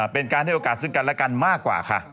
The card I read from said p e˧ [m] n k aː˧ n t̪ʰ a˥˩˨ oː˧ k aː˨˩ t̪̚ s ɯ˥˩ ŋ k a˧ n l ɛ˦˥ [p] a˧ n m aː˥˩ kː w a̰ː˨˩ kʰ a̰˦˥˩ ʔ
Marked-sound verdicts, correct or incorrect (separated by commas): incorrect, incorrect